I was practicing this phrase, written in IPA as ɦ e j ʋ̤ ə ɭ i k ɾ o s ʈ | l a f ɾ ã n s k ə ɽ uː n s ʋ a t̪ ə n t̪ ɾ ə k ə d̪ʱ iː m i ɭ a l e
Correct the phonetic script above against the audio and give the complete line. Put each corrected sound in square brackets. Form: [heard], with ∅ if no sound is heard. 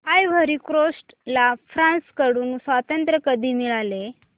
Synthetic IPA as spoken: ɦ [a] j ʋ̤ ə [ɾ] i k ɾ o s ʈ | l a f ɾ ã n s k ə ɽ uː n s ʋ a t̪ ə n t̪ ɾ ə k ə d̪ʱ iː m i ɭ a l e

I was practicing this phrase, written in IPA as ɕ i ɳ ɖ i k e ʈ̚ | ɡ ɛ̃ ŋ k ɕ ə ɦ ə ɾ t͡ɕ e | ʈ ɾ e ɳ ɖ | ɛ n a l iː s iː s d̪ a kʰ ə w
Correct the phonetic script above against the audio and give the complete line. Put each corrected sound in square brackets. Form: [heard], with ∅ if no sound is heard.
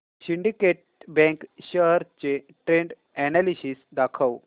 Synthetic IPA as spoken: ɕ i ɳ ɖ i k e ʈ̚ | [b] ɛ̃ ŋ k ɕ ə ɦ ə ɾ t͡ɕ e | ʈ ɾ e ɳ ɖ | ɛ n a l [i] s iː s d̪ a kʰ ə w

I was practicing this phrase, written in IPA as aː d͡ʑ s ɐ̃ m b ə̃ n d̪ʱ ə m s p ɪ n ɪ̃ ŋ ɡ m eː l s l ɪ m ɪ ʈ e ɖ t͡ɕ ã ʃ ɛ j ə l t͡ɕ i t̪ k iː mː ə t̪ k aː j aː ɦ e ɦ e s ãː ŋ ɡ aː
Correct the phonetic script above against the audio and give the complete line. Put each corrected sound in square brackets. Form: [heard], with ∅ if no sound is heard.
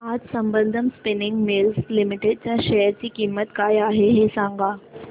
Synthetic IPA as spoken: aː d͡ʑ s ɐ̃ m b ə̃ n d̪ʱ ə m s p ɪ n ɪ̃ ŋ ɡ m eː l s l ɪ m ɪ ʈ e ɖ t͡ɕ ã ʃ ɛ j ə [ɾ] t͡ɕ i [∅] k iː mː ə t̪ k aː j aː ɦ e ɦ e s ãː ŋ ɡ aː

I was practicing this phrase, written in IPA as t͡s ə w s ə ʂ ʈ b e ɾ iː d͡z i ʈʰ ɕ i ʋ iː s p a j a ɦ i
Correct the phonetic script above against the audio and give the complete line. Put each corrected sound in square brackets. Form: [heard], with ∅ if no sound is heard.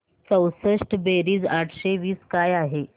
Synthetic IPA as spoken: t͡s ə w s ə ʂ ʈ b e ɾ iː d͡z [a] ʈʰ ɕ [e] ʋ iː s [k] a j a ɦ [e]

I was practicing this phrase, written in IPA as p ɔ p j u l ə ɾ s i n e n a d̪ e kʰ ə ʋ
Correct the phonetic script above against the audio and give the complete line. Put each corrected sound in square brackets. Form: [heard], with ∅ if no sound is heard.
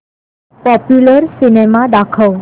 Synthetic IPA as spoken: p ɔ p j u l ə ɾ s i n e [m] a d̪ [a] kʰ ə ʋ

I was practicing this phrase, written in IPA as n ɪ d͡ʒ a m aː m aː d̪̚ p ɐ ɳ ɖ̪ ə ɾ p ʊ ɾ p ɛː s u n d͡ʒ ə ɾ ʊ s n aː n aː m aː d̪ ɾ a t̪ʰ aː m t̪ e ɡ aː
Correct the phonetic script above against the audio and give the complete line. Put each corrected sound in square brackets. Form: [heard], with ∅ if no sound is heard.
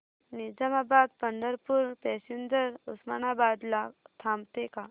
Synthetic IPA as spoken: n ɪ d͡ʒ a m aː [b] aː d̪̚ p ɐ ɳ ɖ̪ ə ɾ p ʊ ɾ p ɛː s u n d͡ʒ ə ɾ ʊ s [m] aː n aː [b] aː d̪ [l] a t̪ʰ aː m t̪ e [k] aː

